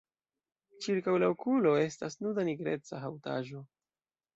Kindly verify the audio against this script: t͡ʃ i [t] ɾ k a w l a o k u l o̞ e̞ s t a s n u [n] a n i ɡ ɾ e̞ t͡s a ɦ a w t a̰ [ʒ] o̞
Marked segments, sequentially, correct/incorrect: incorrect: none, incorrect: d, correct

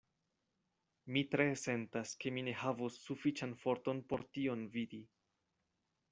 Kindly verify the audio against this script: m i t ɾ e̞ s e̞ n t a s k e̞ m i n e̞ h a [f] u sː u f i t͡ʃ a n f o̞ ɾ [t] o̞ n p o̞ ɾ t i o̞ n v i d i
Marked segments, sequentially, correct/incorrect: incorrect: v, correct

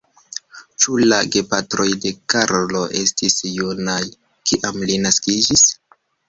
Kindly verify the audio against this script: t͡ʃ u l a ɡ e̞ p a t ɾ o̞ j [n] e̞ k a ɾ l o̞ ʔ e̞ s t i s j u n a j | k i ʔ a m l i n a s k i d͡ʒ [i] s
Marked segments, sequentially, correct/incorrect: incorrect: d, correct

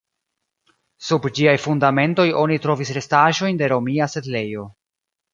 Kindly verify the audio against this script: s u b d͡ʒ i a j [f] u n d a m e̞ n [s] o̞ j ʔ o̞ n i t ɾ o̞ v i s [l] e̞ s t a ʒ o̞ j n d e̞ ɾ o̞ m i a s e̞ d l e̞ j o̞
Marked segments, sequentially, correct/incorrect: correct, incorrect: t, incorrect: ɾ

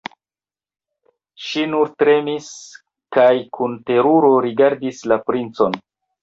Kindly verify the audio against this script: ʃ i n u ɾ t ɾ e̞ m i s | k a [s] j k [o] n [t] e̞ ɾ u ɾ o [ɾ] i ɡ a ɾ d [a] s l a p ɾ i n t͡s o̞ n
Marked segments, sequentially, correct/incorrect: incorrect: none, incorrect: u, correct, correct, incorrect: i

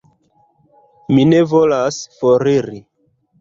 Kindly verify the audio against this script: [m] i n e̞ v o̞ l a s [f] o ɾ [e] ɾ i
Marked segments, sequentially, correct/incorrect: correct, correct, incorrect: i

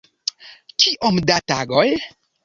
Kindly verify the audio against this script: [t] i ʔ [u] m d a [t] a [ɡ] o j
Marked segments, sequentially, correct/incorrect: incorrect: k, incorrect: o, correct, correct

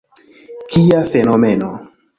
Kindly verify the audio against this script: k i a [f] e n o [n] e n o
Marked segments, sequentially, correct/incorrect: correct, incorrect: m

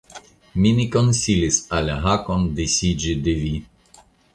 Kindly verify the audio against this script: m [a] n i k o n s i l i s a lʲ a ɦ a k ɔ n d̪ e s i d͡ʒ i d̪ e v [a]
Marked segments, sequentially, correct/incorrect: incorrect: i, incorrect: i

